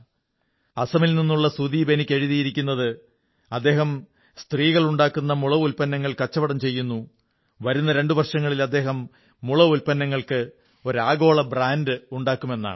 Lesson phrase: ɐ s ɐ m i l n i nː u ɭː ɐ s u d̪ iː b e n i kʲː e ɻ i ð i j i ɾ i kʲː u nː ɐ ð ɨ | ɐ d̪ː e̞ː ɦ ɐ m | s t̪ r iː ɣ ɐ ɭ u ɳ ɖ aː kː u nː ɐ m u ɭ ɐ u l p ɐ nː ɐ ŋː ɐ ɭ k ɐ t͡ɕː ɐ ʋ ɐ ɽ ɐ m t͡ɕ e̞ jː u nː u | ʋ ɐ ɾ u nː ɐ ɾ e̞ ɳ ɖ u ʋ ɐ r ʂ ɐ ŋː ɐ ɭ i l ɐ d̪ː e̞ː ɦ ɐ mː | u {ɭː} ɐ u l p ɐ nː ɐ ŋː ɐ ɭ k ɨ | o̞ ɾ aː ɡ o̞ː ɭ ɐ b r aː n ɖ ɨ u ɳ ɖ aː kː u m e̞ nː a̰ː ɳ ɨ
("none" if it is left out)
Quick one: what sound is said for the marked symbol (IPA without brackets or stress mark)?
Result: ɭ